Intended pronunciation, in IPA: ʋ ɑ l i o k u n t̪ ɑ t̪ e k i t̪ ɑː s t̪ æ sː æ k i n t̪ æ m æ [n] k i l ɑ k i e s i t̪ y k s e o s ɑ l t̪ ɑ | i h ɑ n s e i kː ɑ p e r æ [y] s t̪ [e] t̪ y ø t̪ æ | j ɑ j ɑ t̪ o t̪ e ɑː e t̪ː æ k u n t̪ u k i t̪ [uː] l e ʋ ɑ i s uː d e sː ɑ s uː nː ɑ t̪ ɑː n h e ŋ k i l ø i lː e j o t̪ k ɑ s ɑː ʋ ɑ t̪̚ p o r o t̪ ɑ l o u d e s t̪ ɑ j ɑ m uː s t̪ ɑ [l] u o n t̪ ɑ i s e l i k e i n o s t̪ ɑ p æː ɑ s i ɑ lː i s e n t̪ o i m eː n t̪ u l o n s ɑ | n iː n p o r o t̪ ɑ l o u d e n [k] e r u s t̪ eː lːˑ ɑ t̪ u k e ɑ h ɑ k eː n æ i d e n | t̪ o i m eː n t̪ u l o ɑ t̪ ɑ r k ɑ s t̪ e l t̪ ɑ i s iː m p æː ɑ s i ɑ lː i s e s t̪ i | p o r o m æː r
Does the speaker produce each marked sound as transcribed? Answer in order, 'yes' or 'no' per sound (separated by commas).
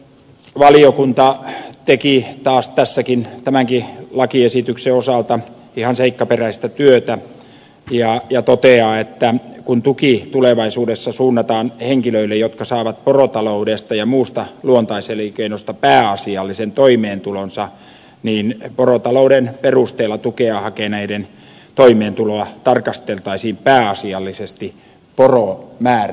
no, no, no, no, yes, no